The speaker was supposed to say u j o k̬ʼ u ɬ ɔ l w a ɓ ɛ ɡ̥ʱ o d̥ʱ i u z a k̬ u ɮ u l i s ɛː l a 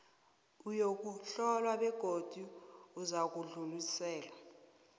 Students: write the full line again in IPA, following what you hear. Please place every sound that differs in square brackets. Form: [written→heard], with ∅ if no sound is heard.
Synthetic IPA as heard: u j o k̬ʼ u ɬ ɔ l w a ɓ ɛ ɡ̥ʱ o d̥ʱ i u z a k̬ u ɮ u l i s ɛː l a